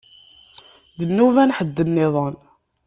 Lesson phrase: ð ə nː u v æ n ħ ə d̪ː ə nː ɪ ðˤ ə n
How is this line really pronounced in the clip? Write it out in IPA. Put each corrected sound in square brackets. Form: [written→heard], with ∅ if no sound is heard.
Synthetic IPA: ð ə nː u v æ n ħ ə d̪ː ə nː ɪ ðˤ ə n